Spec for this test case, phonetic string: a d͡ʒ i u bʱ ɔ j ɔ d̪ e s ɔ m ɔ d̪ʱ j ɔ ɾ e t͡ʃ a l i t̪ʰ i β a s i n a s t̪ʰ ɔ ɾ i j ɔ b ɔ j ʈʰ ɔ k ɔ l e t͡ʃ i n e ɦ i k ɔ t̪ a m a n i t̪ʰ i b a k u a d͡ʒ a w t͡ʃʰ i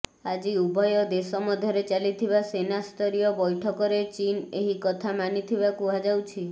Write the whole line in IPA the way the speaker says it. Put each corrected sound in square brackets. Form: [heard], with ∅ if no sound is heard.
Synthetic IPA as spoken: a d͡ʒ i u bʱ ɔ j ɔ d̪ e s ɔ m ɔ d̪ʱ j ɔ ɾ e t͡ʃ a l i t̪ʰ i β a s [e] n a s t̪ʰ ɔ ɾ i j ɔ b ɔ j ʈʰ ɔ k ɔ [ɾ] e t͡ʃ i n e ɦ i k ɔ [t̪ʰ] a m a n i t̪ʰ i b a k u a d͡ʒ a w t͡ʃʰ i